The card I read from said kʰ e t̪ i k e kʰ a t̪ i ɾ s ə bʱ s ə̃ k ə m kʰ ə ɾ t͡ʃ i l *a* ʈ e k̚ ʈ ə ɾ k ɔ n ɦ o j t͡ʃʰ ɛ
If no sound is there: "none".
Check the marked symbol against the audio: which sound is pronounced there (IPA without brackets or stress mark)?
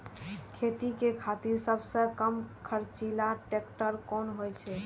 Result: a